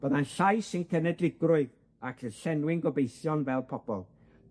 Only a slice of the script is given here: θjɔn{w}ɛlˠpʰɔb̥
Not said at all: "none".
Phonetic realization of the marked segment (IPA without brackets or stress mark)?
v